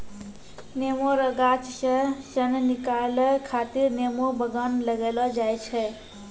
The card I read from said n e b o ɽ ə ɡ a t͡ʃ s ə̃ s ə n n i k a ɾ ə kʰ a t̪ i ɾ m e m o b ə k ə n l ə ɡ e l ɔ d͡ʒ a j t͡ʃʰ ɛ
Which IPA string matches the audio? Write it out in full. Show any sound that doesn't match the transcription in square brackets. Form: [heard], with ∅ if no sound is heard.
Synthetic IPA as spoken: n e [m] o [ɾ] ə ɡ a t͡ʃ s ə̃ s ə n n i k a [l] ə kʰ a t̪ i ɾ [n] e m o b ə [ɡ] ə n l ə ɡ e l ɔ d͡ʒ a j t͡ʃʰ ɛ